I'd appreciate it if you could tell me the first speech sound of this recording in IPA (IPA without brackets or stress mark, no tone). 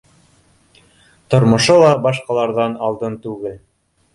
t̪